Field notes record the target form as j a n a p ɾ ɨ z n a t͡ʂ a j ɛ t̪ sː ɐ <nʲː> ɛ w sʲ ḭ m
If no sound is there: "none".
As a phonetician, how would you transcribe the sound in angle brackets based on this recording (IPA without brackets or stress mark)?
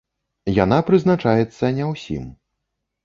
nʲ